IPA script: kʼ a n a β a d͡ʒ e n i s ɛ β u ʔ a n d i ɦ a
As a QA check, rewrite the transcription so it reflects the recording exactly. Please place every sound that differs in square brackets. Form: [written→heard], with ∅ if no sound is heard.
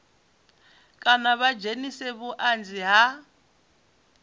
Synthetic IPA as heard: kʼ a n a β a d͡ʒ e n i s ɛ β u ʔ a n [d→d͡z] i ɦ a

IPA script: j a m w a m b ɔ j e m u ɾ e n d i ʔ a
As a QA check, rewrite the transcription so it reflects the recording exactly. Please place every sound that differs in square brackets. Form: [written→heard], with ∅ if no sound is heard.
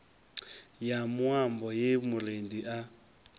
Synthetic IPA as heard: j a m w a m b ɔ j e m u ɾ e n d i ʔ a

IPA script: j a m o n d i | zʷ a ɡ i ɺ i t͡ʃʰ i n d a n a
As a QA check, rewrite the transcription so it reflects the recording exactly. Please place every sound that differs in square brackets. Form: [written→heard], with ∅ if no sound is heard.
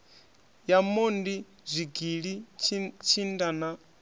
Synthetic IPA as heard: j a m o n d i | zʷ [a→i] ɡ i ɺ i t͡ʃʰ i n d a n a

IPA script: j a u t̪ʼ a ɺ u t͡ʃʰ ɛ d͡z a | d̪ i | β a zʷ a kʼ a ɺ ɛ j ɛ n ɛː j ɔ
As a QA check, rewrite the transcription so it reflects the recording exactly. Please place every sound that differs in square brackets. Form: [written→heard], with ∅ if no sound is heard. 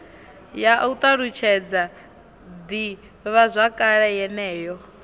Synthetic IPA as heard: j a u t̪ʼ a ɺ u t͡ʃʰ ɛ d͡z a | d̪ i | β a zʷ a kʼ a ɺ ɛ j ɛ n ɛː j ɔ

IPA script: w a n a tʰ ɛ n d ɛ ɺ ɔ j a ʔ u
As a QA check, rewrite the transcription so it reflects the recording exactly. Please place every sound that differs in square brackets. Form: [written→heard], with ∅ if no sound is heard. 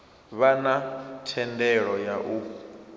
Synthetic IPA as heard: [w→β] a n a tʰ ɛ n d ɛ ɺ ɔ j a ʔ u

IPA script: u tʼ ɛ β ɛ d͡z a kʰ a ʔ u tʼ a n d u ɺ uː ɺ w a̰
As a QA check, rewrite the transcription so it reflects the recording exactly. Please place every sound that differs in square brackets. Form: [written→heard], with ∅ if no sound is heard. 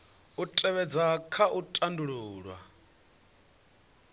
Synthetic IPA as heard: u tʼ ɛ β ɛ d͡z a kʰ a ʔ u tʼ a n d u ɺ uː ɺ w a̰

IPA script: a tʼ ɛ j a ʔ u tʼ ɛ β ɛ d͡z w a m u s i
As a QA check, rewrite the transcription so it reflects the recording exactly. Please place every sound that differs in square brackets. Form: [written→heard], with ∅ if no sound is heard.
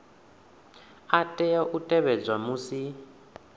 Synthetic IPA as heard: a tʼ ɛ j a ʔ u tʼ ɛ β ɛ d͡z w a m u s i

